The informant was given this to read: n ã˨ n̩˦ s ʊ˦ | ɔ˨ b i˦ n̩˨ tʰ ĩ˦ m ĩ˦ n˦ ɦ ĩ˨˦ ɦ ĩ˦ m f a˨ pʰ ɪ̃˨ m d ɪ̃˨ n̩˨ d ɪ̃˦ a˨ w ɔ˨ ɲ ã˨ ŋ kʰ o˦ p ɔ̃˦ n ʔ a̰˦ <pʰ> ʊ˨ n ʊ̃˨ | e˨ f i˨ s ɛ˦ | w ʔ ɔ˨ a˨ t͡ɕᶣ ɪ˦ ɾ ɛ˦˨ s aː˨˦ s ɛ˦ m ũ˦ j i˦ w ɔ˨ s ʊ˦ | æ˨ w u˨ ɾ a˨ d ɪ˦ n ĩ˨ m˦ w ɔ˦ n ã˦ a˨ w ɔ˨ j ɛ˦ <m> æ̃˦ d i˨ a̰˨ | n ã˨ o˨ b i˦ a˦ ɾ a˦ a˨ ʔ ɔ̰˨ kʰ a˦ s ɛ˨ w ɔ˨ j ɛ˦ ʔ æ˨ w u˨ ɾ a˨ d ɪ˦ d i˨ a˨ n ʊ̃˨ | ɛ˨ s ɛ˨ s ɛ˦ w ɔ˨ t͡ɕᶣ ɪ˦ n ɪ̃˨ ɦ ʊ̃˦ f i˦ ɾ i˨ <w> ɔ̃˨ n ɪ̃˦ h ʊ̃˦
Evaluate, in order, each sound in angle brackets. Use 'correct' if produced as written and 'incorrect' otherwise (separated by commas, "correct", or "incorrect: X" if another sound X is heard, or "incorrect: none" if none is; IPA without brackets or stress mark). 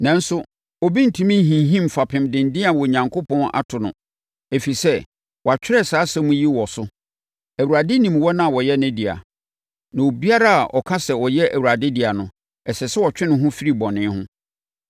incorrect: tʰ, incorrect: n, incorrect: b